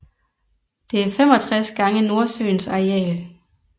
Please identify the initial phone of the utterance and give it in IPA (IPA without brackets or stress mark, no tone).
d̥